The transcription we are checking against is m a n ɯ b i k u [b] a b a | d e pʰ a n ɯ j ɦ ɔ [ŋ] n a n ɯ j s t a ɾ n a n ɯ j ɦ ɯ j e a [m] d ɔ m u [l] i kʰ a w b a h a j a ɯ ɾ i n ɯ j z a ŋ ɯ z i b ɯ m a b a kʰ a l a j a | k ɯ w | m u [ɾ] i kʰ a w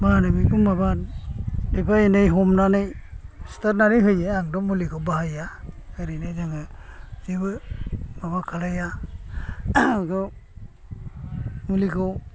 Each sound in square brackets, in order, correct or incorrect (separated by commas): incorrect, incorrect, incorrect, correct, incorrect